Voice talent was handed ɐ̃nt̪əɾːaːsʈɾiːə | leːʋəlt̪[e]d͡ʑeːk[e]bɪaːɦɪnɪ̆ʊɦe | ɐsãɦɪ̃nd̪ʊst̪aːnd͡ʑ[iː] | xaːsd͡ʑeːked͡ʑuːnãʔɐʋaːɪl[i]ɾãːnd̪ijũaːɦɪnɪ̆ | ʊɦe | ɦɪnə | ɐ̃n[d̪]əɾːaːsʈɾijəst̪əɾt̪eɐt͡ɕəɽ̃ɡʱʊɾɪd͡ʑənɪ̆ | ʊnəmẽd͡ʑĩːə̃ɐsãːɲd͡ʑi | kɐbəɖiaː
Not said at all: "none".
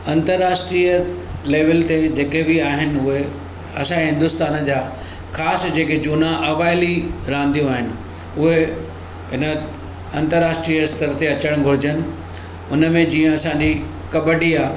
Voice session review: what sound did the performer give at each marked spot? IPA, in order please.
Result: e, e, aː, i, t̪

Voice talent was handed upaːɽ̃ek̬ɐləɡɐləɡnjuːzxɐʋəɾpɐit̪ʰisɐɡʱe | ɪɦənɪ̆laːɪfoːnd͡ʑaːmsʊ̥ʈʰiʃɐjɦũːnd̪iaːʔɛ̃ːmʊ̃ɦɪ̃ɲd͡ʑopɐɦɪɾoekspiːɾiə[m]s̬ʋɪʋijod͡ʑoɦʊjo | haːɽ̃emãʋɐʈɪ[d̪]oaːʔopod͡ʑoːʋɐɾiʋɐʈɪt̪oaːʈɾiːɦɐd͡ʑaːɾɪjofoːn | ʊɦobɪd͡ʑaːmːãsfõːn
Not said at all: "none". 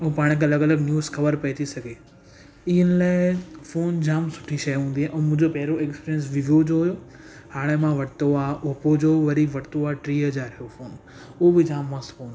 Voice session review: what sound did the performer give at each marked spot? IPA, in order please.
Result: n, t̪

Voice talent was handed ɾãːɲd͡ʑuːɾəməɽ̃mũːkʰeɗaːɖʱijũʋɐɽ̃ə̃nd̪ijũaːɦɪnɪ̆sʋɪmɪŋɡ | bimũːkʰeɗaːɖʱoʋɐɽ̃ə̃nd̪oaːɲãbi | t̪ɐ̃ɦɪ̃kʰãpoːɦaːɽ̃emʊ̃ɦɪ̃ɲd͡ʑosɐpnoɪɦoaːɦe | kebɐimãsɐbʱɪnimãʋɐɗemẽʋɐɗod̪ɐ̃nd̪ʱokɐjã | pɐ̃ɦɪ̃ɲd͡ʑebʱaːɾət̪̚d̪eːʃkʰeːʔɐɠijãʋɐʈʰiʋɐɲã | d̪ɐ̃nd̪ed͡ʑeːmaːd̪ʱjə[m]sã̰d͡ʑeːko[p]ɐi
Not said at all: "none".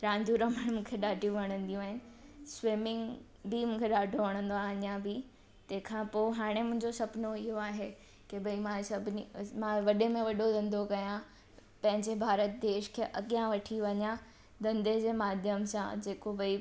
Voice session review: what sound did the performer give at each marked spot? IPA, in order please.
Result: m, b

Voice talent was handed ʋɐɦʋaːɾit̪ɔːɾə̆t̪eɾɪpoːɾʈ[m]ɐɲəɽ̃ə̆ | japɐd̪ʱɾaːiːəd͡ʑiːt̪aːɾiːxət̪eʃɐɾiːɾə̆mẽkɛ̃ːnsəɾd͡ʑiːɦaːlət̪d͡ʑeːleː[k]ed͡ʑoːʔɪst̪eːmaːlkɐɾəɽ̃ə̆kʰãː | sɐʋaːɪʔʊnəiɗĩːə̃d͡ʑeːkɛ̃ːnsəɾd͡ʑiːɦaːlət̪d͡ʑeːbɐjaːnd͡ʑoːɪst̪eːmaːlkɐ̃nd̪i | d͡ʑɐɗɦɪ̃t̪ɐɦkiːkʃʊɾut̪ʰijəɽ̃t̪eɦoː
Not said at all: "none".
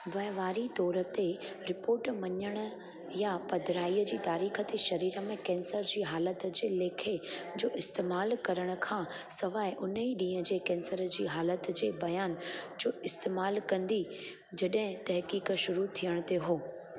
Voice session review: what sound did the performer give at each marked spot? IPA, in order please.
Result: m, kʰ

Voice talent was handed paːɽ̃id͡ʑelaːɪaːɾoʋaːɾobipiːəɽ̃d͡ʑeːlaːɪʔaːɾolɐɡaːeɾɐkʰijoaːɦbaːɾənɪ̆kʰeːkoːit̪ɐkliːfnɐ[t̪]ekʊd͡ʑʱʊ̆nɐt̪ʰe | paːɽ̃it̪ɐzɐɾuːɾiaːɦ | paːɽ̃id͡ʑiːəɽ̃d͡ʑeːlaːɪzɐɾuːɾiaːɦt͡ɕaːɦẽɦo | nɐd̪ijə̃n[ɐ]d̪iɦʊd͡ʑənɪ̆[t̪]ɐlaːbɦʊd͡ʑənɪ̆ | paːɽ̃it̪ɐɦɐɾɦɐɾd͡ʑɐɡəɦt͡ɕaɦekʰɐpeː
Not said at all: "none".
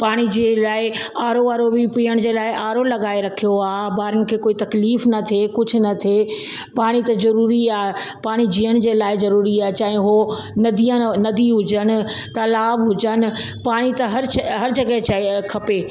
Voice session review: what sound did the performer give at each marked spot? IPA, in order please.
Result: t̪ʰ, ɐ, t̪

